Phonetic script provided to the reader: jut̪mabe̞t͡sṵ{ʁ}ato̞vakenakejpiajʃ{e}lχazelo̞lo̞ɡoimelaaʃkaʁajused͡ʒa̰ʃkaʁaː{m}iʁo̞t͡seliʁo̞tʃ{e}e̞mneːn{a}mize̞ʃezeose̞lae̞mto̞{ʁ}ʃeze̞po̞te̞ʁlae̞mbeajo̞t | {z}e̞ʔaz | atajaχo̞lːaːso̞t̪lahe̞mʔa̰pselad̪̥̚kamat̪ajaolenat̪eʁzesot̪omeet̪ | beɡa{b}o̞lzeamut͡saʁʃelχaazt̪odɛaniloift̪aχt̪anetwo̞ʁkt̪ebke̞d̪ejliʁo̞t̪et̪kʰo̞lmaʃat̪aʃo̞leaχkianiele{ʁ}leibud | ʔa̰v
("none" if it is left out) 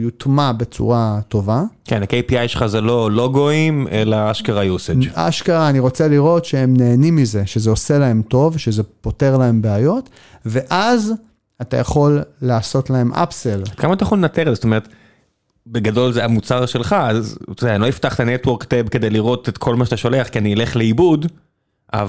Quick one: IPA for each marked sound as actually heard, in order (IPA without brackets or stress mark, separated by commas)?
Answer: ʁ, e, n, e, i, v, v, d, χ